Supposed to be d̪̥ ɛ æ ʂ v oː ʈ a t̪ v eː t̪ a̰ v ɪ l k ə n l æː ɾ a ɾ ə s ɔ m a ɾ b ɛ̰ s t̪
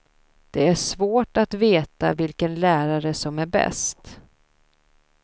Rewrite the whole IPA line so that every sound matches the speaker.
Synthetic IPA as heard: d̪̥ ɛ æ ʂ v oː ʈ a t̪ v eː t̪ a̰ v ɪ l k ə n l æː ɾ a ɾ ə s ɔ m æ ɾ b ɛ̰ s t̪